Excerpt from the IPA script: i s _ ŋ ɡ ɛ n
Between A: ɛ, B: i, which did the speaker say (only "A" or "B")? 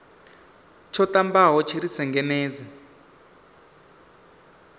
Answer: A